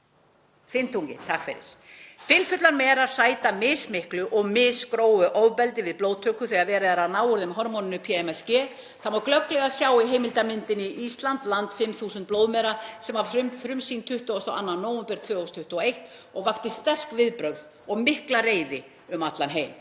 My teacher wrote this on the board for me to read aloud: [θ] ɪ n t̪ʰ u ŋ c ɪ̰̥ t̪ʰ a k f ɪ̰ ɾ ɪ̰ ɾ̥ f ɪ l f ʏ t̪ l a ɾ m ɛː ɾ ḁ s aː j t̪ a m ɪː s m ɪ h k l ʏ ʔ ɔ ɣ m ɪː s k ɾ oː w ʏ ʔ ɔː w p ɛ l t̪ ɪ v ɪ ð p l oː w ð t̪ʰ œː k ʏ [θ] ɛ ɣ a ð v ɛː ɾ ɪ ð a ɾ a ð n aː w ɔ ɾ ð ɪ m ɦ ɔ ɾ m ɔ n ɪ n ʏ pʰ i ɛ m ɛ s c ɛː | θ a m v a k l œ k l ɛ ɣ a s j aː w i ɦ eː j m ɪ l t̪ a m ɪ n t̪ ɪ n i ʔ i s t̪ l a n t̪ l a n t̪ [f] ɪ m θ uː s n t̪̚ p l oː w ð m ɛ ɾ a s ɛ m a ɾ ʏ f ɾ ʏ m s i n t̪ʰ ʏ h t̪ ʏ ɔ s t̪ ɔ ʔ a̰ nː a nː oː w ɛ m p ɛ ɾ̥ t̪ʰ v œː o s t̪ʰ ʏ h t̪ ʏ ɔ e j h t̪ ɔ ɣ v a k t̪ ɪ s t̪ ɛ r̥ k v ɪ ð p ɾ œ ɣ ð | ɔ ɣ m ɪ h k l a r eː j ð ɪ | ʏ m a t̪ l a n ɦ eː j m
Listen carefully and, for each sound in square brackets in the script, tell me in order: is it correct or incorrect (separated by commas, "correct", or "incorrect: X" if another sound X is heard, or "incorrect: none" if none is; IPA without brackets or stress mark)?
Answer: correct, correct, correct